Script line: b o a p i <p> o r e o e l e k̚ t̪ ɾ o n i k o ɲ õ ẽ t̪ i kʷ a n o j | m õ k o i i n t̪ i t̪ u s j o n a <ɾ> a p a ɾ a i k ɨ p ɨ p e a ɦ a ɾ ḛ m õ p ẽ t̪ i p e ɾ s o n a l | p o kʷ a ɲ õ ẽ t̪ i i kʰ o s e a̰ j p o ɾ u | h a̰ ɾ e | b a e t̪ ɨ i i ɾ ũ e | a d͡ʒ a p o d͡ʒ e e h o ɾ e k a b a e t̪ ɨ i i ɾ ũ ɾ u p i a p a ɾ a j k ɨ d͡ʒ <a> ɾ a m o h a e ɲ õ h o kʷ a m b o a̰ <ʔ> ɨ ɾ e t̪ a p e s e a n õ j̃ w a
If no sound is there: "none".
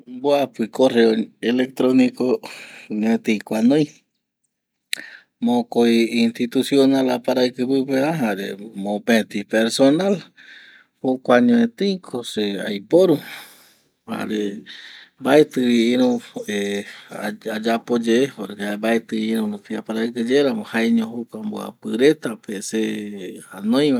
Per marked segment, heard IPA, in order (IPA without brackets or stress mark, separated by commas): k, l, e, p